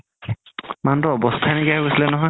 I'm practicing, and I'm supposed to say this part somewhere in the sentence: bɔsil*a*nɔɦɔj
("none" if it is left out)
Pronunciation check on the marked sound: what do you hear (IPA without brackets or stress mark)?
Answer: ɛ